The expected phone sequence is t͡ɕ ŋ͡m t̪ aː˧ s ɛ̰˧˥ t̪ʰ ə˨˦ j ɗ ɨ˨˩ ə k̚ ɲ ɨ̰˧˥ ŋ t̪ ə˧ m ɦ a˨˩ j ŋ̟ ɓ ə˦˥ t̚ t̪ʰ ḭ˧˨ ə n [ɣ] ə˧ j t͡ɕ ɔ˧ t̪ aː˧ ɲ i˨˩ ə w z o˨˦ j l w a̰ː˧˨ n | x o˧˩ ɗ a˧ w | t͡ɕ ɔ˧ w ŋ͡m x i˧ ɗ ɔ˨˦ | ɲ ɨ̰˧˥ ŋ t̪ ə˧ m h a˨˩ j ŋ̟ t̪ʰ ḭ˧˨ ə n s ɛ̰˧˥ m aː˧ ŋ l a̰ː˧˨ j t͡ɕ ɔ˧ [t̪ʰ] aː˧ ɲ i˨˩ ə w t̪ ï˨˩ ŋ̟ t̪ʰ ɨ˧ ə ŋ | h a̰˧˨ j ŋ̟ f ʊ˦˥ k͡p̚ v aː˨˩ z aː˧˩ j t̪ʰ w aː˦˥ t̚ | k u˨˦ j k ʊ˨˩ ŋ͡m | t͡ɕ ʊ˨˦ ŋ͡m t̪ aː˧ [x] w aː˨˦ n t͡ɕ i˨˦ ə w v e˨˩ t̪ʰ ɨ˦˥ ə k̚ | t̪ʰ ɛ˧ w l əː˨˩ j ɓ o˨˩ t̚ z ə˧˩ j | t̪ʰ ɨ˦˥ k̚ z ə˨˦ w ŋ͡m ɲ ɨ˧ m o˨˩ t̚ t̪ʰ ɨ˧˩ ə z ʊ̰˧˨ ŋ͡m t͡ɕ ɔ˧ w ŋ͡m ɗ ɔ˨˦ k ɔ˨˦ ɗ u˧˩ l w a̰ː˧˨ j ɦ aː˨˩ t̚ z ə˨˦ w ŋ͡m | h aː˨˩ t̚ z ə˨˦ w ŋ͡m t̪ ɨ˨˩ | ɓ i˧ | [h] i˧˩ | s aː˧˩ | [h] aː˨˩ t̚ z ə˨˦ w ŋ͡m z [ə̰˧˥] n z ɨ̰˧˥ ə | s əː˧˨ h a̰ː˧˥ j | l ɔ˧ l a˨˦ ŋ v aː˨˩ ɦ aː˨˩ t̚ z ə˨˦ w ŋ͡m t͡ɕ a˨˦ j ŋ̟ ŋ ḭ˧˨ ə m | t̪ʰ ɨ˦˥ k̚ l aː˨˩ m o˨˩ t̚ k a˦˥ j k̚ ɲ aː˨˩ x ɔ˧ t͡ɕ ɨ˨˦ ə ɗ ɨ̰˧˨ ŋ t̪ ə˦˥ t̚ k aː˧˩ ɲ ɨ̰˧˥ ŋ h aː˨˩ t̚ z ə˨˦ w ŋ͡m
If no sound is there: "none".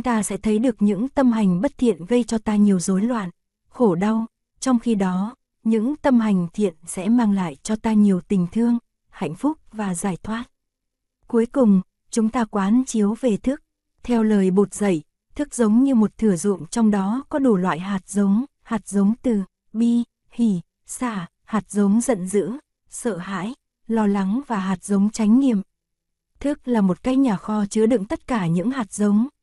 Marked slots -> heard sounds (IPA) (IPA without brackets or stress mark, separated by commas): ɣ, t̪, k, h, h, ə̰˧˨